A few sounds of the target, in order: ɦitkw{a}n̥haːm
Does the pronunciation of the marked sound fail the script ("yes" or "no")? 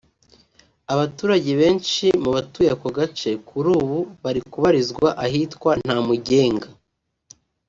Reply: no